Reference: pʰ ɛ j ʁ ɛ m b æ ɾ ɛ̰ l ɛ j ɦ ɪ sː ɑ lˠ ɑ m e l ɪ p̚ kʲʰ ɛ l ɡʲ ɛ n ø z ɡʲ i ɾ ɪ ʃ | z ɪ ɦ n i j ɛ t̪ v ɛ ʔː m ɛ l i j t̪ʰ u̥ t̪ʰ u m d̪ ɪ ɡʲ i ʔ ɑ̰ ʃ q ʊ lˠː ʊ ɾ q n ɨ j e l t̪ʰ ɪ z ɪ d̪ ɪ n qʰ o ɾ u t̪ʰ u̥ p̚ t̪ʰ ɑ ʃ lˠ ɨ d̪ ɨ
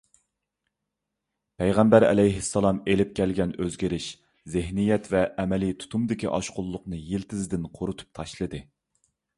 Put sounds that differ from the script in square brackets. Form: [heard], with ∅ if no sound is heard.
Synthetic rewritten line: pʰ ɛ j ʁ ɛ m b æ ɾ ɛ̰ l ɛ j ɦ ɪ sː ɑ lˠ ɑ m e l ɪ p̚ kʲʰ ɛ l ɡʲ ɛ n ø z ɡʲ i ɾ ɪ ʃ | z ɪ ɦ n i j ɛ t̪ v ɛ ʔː m ɛ l i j t̪ʰ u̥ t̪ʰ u m d̪ ɪ [kʲ] i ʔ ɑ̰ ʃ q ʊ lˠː ʊ [∅] q n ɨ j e l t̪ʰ ɪ z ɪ d̪ ɪ n qʰ o ɾ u t̪ʰ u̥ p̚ t̪ʰ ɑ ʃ lˠ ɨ d̪ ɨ